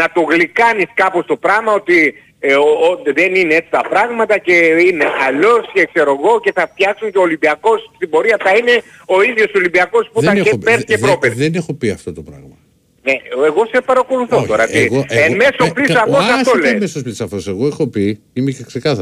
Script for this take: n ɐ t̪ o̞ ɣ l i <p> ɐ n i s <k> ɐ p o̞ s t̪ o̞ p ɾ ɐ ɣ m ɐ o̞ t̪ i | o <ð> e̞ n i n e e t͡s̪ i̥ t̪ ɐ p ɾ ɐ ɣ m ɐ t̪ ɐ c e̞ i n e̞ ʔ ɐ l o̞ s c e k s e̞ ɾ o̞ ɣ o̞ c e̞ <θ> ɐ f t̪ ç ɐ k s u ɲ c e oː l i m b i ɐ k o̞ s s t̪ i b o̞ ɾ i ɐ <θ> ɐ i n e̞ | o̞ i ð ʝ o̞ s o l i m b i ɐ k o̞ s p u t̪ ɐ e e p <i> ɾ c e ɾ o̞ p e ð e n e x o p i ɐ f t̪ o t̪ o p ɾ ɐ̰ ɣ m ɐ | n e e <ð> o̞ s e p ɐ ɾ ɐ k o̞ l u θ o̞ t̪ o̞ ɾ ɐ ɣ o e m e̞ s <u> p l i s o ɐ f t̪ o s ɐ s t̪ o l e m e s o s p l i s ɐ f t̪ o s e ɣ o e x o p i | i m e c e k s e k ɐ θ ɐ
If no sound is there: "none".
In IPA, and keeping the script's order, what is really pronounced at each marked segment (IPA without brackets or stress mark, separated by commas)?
k, k, ð, θ, θ, e, ɣ, o